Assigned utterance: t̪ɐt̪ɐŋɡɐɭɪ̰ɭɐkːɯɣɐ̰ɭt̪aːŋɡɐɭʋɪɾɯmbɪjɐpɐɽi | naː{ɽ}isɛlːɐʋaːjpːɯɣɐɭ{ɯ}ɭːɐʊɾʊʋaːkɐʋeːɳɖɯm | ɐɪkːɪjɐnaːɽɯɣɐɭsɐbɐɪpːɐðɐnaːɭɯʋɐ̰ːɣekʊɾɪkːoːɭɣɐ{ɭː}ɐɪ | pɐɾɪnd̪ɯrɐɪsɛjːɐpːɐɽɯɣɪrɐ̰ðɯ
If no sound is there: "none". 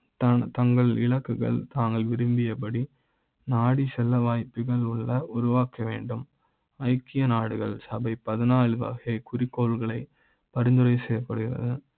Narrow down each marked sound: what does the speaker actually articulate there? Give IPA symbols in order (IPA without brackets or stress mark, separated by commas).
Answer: ɽ, ʊ, ɭ